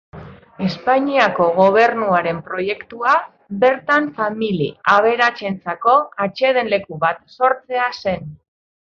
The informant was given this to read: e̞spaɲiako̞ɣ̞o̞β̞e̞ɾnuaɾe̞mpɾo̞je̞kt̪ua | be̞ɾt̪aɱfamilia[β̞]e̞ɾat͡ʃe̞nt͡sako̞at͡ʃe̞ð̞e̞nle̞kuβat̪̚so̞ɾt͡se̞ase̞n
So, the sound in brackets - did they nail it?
yes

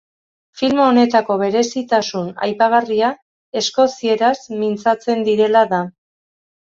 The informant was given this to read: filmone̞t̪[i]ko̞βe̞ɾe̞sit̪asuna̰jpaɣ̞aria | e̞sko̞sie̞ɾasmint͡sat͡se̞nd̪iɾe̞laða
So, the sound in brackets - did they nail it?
no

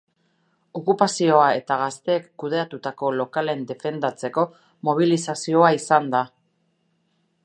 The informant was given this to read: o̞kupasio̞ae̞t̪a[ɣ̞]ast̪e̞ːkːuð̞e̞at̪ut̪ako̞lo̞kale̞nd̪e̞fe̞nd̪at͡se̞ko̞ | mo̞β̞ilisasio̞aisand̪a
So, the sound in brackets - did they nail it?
yes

